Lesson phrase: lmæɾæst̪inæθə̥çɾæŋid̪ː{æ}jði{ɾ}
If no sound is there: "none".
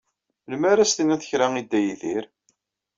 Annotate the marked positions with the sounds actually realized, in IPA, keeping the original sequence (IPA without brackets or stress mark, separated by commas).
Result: æ, ɾ